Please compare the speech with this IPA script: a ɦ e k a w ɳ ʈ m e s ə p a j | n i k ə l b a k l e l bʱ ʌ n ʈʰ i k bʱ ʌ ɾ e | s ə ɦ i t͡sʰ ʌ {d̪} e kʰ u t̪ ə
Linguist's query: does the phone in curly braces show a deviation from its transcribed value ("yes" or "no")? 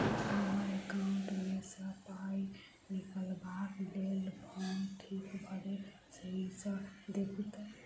no